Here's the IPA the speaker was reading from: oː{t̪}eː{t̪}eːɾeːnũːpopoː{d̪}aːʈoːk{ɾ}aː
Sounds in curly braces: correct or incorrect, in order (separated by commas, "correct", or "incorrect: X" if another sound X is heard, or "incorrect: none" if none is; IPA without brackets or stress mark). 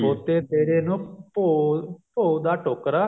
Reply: correct, correct, correct, correct